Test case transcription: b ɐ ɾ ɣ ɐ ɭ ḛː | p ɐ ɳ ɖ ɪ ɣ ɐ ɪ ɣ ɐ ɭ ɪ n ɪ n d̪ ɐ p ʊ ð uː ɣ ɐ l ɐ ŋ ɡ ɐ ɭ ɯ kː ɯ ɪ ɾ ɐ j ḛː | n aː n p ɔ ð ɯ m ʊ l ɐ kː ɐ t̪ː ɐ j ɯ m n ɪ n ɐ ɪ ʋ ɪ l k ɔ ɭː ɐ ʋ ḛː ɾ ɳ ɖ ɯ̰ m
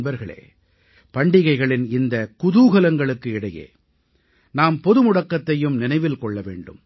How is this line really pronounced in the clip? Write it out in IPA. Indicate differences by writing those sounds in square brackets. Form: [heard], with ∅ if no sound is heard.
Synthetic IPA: b ɐ ɾ ɣ ɐ ɭ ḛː | p ɐ ɳ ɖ ɪ ɣ ɐ ɪ ɣ ɐ ɭ ɪ n ɪ n d̪ ɐ [k] ʊ ð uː ɣ ɐ l ɐ ŋ ɡ ɐ ɭ ɯ kː ɯ ɪ [ɽ] ɐ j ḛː | n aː [m] p ɔ ð ɯ m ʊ [ɽ] ɐ kː ɐ t̪ː ɐ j ɯ m n ɪ n ɐ ɪ ʋ ɪ l k ɔ ɭː ɐ ʋ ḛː [∅] ɳ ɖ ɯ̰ m